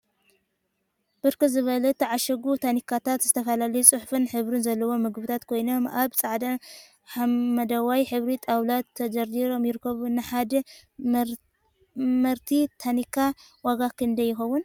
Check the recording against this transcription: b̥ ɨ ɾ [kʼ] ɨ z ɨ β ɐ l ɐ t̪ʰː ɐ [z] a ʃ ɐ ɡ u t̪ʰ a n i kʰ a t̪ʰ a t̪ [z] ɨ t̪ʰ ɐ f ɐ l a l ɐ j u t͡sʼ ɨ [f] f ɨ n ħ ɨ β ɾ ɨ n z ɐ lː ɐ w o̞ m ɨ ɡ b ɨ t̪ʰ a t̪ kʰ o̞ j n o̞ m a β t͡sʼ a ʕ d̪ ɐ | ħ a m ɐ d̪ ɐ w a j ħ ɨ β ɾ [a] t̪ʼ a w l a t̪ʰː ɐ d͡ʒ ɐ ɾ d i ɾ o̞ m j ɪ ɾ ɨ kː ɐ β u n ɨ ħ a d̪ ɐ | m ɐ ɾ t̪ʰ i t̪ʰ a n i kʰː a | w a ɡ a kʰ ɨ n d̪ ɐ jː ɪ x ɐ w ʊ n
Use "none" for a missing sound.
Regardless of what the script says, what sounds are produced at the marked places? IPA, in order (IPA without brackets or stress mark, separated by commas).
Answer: k, ʕ, z, ħ, i